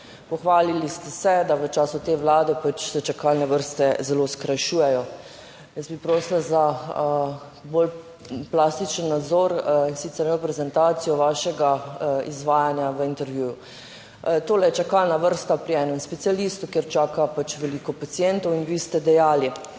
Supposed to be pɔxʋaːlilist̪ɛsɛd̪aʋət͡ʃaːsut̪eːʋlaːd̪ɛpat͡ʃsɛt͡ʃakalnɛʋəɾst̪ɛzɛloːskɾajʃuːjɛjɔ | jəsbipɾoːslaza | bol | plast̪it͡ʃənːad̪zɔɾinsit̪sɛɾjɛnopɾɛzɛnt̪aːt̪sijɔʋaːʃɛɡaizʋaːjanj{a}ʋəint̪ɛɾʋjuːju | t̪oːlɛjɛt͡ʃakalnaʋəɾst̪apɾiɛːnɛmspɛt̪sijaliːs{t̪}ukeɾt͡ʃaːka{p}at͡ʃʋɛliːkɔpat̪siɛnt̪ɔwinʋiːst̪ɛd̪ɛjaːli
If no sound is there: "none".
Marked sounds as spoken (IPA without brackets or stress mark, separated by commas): a, t̪, p